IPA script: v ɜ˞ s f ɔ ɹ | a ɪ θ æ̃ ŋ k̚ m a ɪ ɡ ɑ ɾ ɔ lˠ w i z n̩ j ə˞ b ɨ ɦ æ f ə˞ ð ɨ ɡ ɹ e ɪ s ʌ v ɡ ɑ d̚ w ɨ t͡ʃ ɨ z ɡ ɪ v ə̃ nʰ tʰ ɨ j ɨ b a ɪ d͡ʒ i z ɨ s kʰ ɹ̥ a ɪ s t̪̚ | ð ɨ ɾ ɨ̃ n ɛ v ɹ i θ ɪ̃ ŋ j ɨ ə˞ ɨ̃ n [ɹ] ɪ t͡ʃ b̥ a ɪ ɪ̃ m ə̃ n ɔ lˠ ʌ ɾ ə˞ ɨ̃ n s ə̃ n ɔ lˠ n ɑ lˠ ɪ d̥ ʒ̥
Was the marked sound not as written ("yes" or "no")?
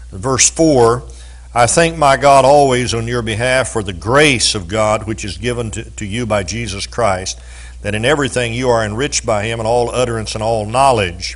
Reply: no